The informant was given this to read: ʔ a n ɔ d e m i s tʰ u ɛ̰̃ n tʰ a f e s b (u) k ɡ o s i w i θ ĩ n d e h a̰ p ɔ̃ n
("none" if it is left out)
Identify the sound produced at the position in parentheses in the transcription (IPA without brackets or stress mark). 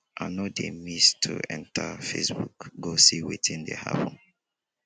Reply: u